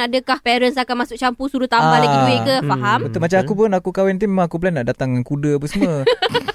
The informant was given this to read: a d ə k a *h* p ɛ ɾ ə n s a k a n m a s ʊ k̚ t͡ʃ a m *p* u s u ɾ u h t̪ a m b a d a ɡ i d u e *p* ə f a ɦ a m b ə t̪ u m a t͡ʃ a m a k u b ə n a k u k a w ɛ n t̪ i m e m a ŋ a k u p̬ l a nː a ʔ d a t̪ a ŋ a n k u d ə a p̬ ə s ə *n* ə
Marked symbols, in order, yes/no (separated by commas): yes, yes, no, no